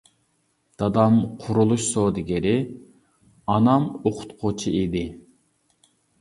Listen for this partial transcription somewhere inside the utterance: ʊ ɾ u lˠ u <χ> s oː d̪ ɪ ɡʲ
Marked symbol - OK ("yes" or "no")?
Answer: no